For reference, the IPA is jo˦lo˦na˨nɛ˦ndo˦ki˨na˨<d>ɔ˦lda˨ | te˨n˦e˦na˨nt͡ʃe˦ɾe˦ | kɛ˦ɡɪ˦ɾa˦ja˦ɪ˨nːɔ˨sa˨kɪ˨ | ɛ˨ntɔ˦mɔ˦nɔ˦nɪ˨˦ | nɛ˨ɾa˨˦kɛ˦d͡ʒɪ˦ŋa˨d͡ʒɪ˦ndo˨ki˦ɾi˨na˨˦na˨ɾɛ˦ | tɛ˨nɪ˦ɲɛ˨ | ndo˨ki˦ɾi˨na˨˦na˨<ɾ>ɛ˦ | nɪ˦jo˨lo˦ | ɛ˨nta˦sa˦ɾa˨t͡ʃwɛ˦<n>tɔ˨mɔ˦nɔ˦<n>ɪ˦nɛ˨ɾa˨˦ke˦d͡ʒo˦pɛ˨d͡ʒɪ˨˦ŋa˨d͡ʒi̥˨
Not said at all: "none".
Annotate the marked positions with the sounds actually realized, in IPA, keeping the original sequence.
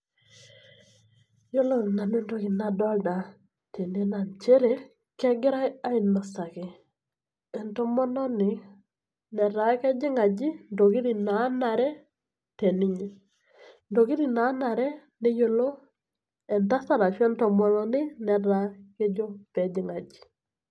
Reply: d, ɾ, n, n

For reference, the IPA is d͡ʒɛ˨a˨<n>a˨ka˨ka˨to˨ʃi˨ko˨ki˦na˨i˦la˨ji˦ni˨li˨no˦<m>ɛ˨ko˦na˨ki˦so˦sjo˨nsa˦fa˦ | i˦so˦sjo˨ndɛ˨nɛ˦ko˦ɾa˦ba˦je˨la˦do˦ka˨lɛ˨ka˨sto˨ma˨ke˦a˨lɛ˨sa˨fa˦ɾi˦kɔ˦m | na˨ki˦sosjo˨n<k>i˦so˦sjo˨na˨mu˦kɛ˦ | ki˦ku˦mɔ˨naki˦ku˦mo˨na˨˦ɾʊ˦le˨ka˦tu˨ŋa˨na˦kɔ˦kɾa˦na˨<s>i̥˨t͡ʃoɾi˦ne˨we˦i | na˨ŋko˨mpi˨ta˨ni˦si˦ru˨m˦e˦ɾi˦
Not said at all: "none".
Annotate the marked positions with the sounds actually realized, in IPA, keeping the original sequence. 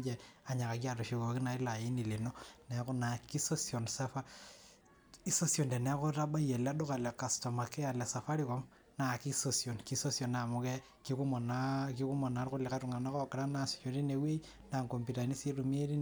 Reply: ɲ, n, k, s

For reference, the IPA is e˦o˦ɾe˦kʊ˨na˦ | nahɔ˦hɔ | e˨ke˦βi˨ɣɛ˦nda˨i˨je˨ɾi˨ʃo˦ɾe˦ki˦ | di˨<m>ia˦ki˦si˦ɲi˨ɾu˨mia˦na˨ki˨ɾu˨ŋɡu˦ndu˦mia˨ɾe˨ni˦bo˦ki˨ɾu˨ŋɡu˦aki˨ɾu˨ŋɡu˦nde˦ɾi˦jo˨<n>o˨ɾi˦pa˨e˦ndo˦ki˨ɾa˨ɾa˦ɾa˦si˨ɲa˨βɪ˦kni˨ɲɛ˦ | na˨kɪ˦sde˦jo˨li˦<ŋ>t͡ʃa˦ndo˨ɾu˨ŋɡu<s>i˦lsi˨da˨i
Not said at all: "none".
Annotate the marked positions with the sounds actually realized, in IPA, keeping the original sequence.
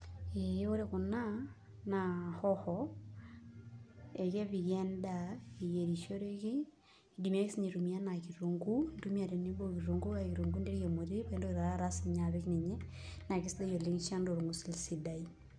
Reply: m, m, ŋ, s

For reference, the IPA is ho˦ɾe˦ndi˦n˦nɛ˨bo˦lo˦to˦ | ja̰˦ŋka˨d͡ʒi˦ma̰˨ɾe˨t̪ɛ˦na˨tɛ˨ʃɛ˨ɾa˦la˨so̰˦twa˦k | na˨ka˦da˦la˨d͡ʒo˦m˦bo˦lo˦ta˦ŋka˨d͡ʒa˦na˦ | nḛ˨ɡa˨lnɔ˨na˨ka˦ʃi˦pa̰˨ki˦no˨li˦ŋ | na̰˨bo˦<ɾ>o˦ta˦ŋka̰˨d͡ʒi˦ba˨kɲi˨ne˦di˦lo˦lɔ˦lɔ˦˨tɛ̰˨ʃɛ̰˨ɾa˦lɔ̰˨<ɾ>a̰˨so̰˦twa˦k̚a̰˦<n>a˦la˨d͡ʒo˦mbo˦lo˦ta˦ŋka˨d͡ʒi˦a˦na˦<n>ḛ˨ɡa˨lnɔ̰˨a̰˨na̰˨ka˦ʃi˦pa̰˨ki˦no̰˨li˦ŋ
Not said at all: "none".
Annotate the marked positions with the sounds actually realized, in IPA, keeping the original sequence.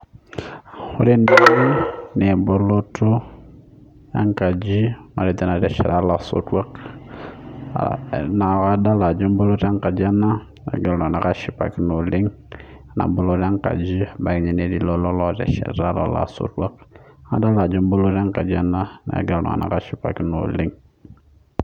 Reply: l, l, d, n

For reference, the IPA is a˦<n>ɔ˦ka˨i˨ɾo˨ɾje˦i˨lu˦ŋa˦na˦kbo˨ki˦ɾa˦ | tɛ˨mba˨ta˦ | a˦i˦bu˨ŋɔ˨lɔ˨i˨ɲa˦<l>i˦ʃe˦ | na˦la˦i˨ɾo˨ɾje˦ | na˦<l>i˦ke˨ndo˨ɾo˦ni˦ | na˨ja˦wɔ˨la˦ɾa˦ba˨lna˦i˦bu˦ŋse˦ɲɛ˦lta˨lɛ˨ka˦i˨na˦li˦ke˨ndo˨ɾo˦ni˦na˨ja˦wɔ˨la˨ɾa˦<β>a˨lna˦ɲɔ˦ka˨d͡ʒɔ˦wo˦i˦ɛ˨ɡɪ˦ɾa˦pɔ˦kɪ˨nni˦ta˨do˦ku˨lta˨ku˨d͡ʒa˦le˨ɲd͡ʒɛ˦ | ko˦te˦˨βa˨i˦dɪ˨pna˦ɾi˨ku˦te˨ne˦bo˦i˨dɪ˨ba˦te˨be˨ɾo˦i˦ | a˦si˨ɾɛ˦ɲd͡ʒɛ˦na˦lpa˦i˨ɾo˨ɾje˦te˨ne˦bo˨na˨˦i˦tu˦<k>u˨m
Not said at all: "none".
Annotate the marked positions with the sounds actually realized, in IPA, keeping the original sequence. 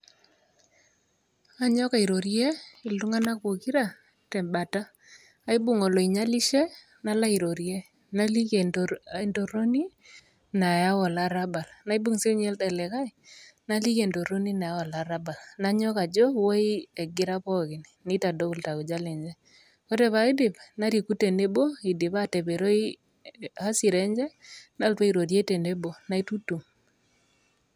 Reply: ɲ, l, l, b, t

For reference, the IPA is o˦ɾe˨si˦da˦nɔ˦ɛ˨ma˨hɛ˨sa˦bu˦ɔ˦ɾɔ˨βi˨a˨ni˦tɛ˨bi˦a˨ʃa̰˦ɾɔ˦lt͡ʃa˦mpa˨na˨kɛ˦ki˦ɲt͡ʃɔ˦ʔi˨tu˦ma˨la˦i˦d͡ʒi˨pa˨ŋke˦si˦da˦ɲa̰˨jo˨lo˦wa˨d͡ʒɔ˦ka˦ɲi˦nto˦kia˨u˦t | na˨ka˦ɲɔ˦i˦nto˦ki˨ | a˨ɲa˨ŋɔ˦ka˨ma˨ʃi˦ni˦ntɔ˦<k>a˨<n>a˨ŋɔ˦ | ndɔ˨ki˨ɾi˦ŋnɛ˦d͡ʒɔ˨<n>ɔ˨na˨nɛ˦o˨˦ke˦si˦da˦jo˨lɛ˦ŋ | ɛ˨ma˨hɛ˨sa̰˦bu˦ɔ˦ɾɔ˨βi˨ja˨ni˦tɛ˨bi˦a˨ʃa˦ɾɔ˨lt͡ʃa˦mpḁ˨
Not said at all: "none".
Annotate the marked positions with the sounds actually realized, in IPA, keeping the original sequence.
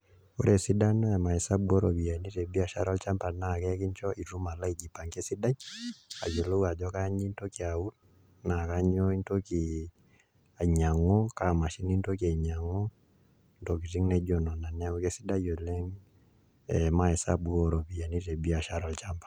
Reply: k, ɲ, n

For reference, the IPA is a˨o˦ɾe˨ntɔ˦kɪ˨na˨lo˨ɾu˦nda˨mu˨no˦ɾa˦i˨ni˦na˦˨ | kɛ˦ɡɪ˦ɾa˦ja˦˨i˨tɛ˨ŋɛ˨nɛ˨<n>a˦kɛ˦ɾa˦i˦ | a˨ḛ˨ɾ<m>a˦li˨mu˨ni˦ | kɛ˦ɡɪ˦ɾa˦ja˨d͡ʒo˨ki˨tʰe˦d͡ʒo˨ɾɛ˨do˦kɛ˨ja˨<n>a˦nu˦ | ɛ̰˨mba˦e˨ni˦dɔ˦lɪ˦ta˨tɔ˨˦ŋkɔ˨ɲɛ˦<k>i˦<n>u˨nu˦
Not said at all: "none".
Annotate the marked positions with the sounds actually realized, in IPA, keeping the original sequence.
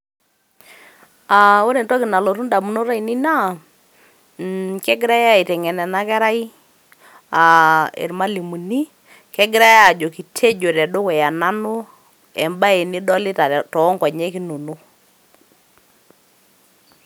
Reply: n, m, n, k, n

